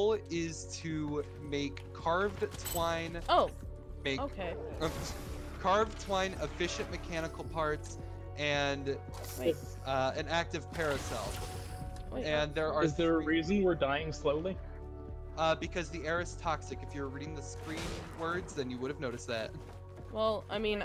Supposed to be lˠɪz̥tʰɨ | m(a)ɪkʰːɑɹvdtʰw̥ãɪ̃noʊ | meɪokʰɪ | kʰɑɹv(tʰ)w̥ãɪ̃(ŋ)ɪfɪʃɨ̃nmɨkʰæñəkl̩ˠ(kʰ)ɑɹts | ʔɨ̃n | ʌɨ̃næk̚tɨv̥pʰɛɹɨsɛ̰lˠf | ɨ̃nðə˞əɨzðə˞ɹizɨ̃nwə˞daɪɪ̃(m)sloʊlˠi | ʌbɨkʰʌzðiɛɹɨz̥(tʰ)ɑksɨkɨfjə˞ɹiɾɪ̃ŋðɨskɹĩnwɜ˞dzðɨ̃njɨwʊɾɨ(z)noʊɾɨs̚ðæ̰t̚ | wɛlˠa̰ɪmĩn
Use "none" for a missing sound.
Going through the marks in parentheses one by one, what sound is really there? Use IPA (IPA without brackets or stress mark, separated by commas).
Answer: e, tʰ, n, pʰ, ŋ, tʰ, v